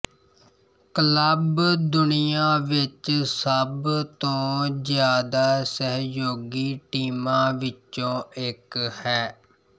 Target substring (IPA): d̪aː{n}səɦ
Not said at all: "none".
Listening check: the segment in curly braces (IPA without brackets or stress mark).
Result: none